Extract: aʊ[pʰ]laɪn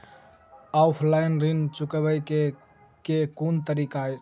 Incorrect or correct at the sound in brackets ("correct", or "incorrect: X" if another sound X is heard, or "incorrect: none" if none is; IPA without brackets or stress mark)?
correct